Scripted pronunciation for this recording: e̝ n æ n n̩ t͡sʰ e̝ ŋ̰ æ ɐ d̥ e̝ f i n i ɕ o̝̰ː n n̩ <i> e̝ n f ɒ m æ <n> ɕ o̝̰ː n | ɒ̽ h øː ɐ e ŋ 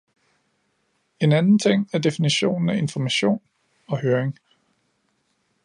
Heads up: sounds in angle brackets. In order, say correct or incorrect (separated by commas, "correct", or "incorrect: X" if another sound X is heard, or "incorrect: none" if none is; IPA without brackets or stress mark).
incorrect: æ, incorrect: none